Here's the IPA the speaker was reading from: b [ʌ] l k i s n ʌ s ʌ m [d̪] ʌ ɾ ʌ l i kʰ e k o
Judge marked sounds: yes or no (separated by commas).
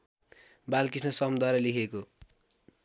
no, yes